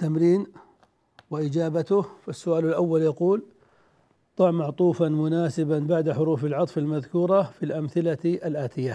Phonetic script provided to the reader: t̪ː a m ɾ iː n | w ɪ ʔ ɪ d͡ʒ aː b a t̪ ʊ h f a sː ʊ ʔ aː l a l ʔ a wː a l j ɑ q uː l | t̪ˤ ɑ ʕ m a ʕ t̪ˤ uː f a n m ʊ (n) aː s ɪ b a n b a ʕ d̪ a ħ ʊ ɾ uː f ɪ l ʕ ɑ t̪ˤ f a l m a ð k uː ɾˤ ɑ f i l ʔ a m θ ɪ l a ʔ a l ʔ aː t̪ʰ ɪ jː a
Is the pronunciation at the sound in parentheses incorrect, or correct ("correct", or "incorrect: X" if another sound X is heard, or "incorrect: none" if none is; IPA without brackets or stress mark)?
correct